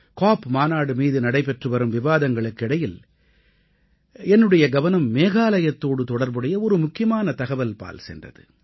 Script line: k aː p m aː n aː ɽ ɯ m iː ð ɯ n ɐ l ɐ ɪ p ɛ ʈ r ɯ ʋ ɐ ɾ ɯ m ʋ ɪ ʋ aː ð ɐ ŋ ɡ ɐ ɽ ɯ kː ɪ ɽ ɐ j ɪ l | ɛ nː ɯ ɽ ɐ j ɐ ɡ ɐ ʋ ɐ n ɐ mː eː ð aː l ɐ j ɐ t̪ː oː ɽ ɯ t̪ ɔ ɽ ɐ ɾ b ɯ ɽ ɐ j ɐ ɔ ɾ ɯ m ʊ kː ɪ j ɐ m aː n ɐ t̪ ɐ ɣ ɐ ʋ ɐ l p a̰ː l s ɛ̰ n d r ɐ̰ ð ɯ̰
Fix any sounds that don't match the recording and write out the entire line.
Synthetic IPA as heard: k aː p m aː n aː ɽ ɯ m iː ð ɯ n ɐ ɽ ɐ ɪ p ɛ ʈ r ɯ ʋ ɐ ɾ ɯ m ʋ ɪ ʋ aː ð ɐ ŋ ɡ ɐ ɭ ɯ kː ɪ ɽ ɐ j ɪ l | ɛ nː ɯ ɽ ɐ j ɐ ɡ ɐ ʋ ɐ n ɐ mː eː ɣ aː l ɐ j ɐ t̪ː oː ɽ ɯ t̪ ɔ ɽ ɐ ɾ b ɯ ɽ ɐ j ɐ ɔ ɾ ɯ m ʊ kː ɪ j ɐ m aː n ɐ t̪ ɐ ɣ ɐ ʋ ɐ l p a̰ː l s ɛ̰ n d r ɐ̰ ð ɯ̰